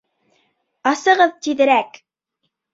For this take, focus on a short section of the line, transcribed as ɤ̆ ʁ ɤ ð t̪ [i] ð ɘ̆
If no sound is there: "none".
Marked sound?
i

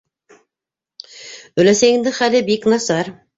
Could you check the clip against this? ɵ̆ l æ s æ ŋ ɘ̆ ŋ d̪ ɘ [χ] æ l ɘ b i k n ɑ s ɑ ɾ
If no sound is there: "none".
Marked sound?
χ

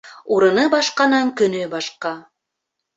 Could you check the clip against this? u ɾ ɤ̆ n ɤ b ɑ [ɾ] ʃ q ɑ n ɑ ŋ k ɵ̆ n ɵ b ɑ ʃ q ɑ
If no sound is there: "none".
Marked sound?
none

